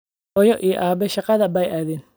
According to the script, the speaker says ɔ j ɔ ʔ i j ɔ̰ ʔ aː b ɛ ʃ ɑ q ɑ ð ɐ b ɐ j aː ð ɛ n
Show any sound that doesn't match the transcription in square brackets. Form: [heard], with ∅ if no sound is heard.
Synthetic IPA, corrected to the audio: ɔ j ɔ ʔ i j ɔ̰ ʔ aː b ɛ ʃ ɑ q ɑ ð ɐ b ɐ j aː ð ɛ n